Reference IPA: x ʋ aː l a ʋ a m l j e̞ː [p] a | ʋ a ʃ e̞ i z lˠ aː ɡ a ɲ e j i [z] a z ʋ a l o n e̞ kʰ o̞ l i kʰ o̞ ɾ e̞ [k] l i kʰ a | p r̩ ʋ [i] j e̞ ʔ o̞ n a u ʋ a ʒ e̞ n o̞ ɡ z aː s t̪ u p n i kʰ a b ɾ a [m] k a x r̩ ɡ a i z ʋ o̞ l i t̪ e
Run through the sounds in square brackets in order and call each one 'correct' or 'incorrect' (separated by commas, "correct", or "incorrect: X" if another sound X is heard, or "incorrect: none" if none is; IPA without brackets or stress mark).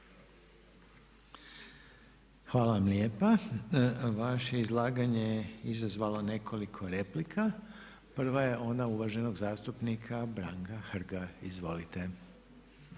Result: correct, correct, incorrect: p, incorrect: a, incorrect: ŋ